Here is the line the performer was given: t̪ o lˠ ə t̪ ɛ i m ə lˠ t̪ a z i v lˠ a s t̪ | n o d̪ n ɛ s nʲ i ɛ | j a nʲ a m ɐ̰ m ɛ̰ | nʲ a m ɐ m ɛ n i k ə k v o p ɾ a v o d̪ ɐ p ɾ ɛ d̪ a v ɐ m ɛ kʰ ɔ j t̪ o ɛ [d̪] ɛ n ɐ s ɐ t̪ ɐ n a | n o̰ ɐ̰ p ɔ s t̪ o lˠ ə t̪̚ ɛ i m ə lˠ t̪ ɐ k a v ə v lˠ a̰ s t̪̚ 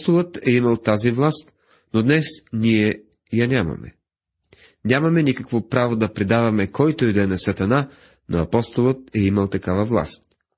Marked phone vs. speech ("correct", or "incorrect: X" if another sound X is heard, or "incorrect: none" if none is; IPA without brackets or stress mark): correct